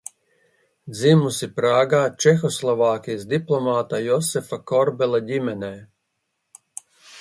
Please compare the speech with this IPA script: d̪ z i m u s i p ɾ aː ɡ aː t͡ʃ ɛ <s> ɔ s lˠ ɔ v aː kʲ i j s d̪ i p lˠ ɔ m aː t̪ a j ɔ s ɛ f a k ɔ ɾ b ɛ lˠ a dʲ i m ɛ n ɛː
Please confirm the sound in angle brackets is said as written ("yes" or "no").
no